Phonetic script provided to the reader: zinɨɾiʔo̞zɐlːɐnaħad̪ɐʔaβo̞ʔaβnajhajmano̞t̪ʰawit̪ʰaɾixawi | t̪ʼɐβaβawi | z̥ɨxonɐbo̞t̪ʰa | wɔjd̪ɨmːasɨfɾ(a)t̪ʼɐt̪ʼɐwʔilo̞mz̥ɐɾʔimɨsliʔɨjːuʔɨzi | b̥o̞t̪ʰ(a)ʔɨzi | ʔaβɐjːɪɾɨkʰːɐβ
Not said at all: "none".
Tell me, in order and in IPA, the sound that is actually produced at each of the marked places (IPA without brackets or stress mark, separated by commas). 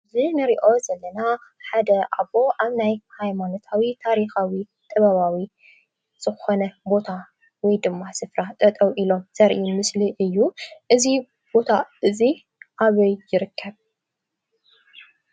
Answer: a, a